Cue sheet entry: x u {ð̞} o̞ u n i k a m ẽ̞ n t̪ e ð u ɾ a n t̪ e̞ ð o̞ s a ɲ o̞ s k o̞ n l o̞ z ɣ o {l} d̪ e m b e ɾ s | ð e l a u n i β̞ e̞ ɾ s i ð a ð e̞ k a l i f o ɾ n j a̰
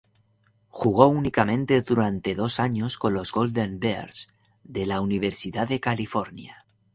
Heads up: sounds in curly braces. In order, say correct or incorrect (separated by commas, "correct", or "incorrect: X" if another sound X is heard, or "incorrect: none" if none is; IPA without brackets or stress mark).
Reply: incorrect: ɣ̞, correct